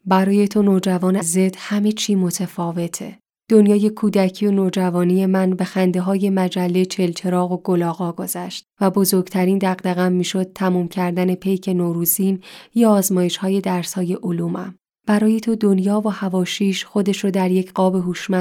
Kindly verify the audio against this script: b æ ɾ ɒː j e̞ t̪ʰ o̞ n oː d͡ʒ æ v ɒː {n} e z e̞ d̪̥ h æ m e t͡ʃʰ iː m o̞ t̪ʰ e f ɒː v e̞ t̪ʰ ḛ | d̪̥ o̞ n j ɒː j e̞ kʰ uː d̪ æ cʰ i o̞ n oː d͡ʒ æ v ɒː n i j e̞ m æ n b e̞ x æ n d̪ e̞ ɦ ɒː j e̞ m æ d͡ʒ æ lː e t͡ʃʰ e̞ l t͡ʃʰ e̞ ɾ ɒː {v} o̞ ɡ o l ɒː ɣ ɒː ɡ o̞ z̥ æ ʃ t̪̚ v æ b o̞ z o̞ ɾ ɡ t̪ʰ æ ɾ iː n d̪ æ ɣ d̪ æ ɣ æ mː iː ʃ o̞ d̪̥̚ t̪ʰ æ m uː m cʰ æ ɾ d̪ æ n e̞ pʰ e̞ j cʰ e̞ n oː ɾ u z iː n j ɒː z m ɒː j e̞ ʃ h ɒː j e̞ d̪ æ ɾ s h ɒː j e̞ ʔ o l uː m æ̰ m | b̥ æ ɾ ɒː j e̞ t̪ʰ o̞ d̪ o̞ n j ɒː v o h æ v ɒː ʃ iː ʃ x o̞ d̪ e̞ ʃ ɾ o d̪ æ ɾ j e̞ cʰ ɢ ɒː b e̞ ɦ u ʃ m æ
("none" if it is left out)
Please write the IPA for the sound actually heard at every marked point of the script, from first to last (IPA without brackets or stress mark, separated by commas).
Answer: n, ɣ